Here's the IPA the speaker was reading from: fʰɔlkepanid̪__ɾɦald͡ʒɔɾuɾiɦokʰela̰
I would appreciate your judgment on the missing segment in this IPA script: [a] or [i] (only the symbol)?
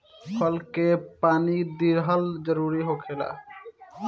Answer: i